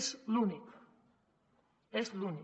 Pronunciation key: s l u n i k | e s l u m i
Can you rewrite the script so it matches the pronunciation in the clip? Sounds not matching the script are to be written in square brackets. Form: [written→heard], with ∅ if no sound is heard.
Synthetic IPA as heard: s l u n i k | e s l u [m→n] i